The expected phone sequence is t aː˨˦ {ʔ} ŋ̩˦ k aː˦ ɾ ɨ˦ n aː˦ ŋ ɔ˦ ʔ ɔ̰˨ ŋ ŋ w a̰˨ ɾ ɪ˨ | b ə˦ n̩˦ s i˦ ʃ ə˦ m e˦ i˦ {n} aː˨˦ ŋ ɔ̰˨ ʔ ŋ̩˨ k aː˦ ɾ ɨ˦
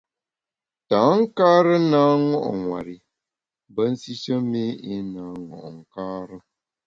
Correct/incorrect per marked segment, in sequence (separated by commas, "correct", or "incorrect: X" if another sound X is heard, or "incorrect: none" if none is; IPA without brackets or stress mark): incorrect: none, correct